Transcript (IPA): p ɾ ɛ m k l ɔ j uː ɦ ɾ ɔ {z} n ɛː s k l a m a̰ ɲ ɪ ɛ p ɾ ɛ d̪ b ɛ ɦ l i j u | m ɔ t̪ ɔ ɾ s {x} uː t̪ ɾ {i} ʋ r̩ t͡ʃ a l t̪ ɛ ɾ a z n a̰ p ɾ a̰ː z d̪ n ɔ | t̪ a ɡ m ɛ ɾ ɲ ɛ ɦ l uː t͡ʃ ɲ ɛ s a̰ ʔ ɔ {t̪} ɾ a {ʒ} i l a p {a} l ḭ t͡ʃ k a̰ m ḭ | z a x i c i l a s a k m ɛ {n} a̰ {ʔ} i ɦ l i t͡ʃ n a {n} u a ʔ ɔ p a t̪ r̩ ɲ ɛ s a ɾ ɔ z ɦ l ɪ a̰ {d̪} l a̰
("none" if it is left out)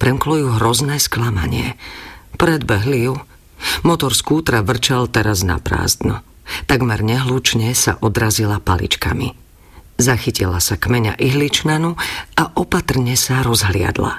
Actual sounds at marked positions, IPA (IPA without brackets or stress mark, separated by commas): z, k, a, d̪, z, a, ɲ, ʔ, n, d̪